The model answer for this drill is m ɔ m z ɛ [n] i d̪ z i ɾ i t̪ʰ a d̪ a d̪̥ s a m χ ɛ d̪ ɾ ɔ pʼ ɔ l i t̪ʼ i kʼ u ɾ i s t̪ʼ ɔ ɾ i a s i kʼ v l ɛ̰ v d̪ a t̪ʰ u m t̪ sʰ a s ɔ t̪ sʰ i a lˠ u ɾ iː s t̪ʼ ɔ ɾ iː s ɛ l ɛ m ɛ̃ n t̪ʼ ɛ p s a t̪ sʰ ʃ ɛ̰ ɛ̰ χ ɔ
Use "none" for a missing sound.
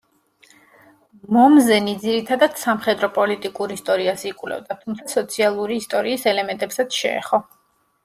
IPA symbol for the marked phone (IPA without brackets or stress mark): n